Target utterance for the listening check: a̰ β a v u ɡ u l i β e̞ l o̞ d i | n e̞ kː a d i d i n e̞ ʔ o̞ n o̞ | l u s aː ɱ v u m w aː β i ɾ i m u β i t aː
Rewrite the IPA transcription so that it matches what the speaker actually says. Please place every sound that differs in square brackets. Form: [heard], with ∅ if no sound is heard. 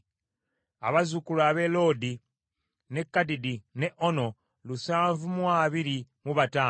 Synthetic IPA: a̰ β a [z] u [k] u l [a] β e̞ l o̞ d i | n e̞ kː a d i d i n e̞ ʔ o̞ n o̞ | l u s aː ɱ v u m w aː β i ɾ i m u β [a] t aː